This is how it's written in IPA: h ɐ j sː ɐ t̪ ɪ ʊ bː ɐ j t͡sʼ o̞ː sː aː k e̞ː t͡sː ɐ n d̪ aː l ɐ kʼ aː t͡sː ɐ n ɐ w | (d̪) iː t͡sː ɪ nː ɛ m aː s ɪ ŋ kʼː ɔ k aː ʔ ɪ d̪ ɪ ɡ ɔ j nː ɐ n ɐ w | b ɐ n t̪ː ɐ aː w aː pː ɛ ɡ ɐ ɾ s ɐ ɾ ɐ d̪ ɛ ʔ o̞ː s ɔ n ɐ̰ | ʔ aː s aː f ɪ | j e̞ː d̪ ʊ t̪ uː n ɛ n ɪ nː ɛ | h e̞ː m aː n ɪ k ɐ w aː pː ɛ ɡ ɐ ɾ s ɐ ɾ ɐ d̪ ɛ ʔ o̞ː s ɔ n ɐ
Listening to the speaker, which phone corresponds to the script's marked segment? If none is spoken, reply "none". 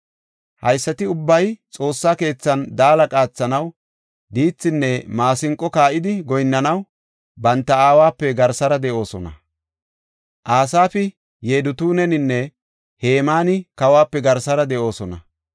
d̪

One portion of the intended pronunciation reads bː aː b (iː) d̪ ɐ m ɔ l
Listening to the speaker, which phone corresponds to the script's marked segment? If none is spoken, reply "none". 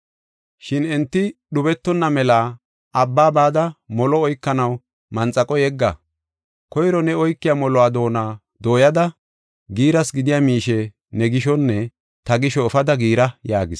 aː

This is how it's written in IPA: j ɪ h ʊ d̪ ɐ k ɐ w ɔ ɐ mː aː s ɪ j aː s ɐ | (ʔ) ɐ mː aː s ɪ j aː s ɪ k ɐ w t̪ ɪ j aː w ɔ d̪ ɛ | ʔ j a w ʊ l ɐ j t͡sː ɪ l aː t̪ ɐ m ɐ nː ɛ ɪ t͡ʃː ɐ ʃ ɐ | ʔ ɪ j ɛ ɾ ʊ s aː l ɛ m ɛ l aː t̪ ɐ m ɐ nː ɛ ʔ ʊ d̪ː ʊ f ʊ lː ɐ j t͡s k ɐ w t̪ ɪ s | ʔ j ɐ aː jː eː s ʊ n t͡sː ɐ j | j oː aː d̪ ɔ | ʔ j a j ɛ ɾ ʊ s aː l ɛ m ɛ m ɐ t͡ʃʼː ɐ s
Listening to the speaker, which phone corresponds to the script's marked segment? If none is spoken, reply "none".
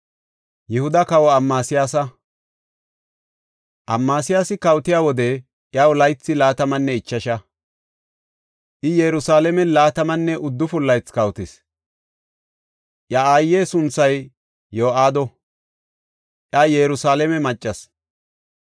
ʔ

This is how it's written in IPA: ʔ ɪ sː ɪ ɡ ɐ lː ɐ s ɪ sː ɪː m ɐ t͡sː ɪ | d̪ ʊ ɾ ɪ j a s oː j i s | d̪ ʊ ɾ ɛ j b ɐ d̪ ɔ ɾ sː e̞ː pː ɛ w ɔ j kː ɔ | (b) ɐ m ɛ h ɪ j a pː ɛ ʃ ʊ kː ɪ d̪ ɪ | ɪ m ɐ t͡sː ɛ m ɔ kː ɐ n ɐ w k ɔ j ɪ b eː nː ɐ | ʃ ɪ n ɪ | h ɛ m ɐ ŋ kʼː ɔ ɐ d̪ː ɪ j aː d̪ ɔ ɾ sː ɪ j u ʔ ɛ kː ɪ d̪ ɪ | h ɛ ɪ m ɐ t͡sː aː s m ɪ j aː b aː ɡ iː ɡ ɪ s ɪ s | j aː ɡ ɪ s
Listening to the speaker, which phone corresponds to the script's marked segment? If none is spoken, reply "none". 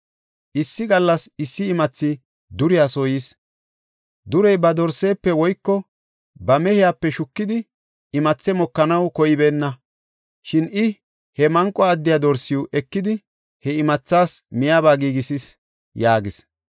b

